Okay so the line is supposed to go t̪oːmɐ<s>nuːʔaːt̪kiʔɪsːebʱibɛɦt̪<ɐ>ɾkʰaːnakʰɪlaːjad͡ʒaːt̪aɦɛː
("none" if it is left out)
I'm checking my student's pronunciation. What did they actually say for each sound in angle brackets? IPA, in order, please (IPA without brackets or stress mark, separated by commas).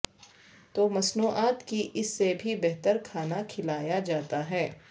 s, ə